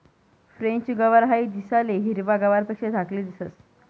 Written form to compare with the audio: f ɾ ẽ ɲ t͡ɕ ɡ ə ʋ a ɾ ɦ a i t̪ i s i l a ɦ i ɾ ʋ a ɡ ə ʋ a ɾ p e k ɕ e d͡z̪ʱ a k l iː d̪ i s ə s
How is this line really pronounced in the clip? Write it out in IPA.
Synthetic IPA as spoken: f ɾ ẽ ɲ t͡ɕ ɡ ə ʋ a ɾ ɦ a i d̪ i s a l e ɦ i ɾ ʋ a ɡ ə ʋ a ɾ p e k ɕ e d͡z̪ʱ a k l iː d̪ i s ə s